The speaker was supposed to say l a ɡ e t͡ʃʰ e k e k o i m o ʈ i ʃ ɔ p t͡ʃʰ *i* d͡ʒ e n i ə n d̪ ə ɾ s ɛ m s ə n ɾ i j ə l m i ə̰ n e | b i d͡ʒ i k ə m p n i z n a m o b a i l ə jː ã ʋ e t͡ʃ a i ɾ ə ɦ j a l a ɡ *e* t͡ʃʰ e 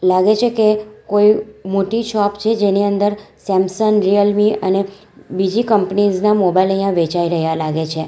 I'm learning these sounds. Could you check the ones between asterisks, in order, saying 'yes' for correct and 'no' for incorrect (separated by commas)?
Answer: no, yes